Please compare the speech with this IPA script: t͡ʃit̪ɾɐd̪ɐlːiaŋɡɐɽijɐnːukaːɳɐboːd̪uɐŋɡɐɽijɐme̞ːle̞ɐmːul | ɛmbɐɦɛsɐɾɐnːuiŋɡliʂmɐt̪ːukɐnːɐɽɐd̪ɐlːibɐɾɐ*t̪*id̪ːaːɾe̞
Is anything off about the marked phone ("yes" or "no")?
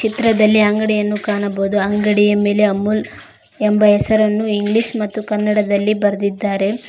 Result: yes